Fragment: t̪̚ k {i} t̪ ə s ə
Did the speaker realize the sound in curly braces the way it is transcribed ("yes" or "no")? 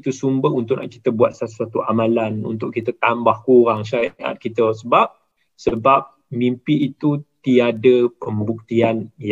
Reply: yes